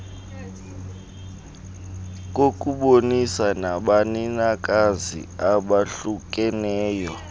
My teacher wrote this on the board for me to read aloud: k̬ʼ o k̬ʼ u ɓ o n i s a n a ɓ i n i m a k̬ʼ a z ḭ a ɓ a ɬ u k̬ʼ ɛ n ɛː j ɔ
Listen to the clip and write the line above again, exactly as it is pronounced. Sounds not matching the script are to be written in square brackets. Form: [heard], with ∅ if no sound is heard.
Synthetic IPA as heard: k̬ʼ o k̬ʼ u ɓ o n i s a n a ɓ [a] n i [n] a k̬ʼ a z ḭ a ɓ a ɬ u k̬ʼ ɛ n ɛː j ɔ